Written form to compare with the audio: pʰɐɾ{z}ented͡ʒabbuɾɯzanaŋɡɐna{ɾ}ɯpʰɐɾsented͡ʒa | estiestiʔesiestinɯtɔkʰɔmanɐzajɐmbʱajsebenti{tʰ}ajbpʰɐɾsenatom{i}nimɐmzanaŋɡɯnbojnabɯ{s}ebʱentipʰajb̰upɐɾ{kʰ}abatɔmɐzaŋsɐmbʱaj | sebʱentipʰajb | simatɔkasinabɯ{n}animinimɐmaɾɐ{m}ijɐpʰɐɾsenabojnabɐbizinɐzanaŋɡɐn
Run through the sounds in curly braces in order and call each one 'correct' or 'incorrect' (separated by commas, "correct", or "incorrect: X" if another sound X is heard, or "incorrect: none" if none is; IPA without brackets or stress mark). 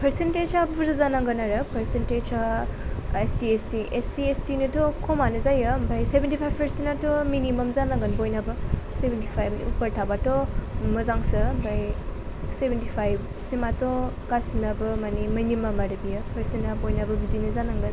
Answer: incorrect: s, correct, incorrect: pʰ, correct, correct, incorrect: tʰ, incorrect: m, incorrect: b